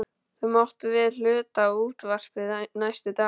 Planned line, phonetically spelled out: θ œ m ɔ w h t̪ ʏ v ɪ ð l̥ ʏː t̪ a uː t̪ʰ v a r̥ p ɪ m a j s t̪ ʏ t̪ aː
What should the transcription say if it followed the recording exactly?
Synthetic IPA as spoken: θ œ m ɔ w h t̪ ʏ v ɪ ð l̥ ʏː t̪ a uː t̪ v a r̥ p ɪ n a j s t̪ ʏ t̪ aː